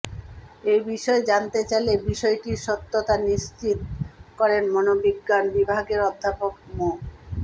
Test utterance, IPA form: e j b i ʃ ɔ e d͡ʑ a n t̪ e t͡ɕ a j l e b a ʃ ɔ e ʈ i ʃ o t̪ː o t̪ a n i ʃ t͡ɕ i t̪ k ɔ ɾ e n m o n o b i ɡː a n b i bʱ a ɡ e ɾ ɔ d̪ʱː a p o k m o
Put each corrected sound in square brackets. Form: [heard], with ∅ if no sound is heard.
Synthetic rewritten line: e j b i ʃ ɔ e d͡ʑ a n t̪ e t͡ɕ a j l e b [i] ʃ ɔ e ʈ i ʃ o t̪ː o t̪ a n i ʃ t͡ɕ i t̪ k ɔ ɾ e n m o n o b i ɡː a n b i bʱ a ɡ e ɾ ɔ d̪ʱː a p o k m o